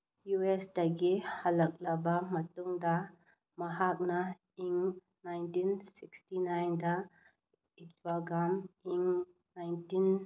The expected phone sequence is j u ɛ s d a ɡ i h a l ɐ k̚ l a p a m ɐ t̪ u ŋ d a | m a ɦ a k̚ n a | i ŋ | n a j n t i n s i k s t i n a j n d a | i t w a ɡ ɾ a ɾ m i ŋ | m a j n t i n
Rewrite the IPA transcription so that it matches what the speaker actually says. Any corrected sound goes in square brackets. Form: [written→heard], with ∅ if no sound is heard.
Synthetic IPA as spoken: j u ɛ s d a ɡ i h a l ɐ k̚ l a [p→b] a m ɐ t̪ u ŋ d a | m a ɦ a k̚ n a | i ŋ | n a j n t i n s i k s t i n a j n d a | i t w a ɡ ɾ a [ɾ→∅] m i ŋ | [m→n] a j n t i n